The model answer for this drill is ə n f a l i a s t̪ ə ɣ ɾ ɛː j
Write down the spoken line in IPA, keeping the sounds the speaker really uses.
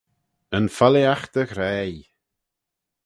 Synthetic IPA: ə n f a l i a x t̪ ə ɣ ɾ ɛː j